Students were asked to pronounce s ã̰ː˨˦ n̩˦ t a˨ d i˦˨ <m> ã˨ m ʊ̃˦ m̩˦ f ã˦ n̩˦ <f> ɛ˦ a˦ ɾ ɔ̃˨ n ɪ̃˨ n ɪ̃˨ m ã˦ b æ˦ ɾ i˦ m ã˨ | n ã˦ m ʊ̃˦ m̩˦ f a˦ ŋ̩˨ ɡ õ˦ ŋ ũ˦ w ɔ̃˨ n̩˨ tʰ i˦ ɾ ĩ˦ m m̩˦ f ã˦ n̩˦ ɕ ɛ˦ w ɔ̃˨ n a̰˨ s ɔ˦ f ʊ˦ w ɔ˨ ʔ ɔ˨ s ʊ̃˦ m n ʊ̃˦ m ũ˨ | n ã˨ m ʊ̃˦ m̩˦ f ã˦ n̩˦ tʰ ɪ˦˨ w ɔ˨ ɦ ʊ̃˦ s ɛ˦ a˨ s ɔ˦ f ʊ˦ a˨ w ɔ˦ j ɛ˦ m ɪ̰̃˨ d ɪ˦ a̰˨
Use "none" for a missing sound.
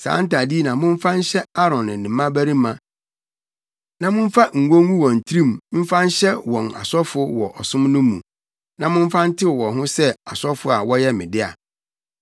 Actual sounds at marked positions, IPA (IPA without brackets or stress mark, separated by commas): n, ɕ